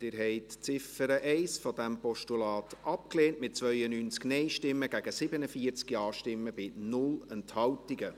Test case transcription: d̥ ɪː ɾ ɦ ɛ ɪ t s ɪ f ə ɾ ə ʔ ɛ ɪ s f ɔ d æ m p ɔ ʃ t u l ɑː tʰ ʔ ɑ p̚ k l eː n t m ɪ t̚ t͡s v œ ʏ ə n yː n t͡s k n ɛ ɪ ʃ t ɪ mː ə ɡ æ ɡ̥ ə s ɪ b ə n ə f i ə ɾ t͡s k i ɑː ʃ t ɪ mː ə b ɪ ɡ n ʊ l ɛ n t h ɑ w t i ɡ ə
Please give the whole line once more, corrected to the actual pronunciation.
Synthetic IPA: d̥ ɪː ɾ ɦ ɛ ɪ t t͡s ɪ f ə ɾ ə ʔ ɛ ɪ s f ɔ d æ m p ɔ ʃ t u l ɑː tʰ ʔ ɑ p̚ k l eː n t m ɪ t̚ t͡s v œ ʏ ə n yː n t͡s k n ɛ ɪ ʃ t ɪ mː ə ɡ æ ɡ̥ ə s ɪ b ə n ə f i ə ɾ t͡s k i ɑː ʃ t ɪ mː ə b ɪ n ʊ l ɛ n t h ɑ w t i ɡ ə